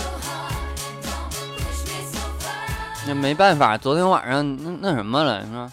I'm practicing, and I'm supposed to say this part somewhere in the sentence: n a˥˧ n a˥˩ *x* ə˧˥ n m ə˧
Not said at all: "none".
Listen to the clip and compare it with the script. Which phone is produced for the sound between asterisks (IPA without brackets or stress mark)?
ʂ